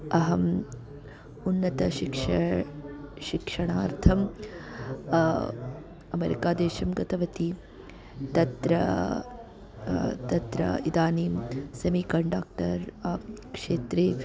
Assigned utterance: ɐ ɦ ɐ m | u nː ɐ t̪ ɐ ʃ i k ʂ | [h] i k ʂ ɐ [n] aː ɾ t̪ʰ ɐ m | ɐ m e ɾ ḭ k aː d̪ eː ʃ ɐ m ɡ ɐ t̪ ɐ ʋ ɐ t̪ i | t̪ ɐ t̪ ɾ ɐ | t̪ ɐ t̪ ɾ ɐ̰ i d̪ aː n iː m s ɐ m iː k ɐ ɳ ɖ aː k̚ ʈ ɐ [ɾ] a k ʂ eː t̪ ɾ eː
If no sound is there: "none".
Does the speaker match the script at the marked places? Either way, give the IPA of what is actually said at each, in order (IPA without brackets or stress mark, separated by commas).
ʃ, ɳ, ɾ